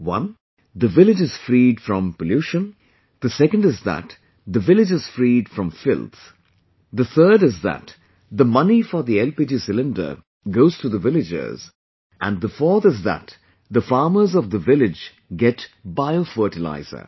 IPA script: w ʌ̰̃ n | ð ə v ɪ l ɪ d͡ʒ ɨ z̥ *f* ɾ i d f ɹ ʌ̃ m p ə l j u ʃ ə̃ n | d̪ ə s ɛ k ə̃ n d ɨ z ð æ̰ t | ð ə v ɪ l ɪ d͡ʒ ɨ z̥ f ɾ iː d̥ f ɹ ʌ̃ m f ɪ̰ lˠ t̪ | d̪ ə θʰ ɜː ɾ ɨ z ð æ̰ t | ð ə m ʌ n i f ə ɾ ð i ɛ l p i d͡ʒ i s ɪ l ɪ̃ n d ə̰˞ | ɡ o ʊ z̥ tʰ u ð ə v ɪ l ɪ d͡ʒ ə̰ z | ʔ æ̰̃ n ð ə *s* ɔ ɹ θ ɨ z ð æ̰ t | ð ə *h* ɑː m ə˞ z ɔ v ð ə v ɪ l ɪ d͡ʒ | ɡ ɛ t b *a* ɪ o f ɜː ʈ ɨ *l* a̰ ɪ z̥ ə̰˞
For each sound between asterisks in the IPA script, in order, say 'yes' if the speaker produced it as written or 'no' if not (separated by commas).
yes, no, no, yes, yes